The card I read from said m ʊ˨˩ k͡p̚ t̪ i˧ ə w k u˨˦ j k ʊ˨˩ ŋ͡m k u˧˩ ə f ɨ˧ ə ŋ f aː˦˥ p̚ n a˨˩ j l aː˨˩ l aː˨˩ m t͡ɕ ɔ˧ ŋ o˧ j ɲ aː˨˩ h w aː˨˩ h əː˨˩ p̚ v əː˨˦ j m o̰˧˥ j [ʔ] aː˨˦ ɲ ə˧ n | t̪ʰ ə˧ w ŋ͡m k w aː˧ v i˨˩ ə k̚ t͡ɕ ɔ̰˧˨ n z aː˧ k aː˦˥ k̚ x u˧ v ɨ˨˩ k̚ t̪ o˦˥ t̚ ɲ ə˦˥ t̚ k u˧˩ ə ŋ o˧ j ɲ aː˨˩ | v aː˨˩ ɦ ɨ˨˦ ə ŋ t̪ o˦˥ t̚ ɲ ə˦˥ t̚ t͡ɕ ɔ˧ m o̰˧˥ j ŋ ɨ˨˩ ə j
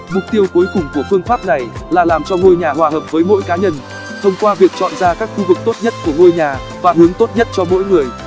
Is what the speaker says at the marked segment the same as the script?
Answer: no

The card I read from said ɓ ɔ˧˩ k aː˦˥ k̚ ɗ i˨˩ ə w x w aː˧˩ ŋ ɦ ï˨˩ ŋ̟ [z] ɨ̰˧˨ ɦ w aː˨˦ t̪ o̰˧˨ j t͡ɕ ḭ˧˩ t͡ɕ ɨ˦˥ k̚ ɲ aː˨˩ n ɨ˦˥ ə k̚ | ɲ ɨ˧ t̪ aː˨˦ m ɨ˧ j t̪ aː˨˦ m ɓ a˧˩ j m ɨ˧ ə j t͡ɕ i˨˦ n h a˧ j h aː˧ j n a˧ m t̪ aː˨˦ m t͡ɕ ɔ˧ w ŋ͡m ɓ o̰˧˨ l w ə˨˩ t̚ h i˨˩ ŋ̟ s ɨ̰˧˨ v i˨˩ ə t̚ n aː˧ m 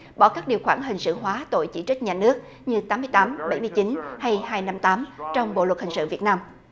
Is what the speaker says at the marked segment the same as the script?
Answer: no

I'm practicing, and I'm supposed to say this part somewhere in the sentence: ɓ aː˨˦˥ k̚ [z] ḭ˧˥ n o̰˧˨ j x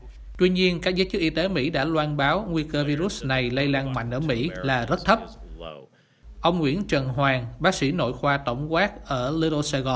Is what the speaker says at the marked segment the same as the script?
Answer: no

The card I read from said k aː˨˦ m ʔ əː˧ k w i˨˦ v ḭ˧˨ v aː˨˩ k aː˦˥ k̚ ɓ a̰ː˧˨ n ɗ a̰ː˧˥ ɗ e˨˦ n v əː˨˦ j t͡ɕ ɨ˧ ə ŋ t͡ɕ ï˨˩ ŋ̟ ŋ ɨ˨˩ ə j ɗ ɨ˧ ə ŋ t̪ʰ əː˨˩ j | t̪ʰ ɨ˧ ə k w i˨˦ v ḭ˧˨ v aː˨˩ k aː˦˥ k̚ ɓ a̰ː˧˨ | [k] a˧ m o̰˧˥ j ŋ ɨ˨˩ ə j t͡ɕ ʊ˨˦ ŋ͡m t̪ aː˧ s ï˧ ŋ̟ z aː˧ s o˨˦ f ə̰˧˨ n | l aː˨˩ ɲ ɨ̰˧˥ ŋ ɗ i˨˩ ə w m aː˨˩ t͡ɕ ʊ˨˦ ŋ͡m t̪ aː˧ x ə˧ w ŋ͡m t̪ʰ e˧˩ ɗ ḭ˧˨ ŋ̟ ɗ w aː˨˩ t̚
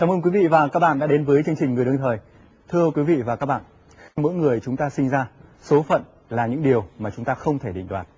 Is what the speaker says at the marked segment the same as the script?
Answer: no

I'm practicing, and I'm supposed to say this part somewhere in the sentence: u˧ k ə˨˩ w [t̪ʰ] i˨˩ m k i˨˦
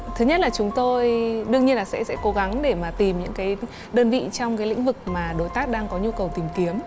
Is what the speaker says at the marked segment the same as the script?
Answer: no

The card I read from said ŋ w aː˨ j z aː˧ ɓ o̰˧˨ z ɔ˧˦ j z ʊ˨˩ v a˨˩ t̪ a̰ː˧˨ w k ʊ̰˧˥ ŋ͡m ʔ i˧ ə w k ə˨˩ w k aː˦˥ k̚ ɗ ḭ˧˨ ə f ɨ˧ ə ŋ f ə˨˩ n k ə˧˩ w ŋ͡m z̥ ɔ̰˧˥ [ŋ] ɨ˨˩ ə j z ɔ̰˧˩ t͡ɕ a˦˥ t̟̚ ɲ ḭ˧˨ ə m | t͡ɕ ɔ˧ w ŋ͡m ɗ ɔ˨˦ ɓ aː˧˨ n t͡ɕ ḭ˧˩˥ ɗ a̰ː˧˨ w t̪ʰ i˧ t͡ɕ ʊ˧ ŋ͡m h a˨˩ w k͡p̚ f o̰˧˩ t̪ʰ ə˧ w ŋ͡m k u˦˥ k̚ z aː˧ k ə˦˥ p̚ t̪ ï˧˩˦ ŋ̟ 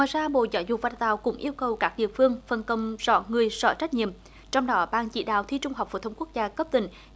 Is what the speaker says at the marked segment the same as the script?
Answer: yes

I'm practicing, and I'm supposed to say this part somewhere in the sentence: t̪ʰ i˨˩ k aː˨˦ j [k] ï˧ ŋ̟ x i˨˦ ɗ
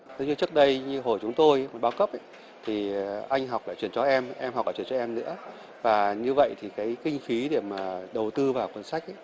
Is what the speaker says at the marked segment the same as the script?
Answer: yes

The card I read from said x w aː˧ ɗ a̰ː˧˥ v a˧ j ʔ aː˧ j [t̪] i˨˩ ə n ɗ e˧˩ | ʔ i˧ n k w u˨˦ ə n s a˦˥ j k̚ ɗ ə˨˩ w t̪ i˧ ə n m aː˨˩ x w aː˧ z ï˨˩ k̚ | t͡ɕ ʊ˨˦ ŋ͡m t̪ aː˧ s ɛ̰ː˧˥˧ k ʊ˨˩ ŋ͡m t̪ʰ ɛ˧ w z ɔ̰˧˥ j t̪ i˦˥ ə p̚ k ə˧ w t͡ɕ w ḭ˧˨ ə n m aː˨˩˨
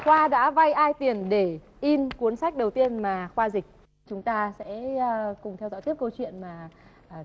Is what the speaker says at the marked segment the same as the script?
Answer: yes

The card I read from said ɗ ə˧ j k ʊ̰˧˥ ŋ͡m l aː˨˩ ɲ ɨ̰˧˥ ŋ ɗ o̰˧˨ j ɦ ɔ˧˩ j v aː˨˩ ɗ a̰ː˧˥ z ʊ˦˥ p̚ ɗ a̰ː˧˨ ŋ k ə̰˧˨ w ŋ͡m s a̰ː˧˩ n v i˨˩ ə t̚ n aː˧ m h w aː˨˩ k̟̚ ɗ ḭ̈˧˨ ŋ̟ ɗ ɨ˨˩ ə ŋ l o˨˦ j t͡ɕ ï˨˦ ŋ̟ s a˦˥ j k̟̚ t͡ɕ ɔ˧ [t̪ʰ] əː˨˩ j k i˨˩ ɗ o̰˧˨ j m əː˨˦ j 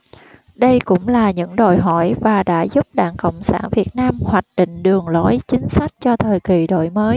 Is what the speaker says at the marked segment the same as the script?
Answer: yes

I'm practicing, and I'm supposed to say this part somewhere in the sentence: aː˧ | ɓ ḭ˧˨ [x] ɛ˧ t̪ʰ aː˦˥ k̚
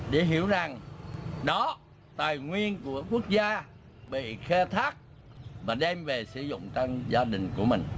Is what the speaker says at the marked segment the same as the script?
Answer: yes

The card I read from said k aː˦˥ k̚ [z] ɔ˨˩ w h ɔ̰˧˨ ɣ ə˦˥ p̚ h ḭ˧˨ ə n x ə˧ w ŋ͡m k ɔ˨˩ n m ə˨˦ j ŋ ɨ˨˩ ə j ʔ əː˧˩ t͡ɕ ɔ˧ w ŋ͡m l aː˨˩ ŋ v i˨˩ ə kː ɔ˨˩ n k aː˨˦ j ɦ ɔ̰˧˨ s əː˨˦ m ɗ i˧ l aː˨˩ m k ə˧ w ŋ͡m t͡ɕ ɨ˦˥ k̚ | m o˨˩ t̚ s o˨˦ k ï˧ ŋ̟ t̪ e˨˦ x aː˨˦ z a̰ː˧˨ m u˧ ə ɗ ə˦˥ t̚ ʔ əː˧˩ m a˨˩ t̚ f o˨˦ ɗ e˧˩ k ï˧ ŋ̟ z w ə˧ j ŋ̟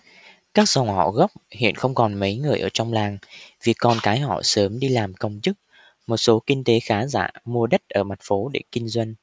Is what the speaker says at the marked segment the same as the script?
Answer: yes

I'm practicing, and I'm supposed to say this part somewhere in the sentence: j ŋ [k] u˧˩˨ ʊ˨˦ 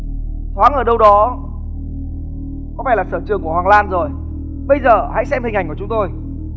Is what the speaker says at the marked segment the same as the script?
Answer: yes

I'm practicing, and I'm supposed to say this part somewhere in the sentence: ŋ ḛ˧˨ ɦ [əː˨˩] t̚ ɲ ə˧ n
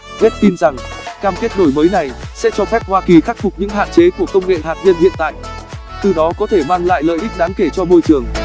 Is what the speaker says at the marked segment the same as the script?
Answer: no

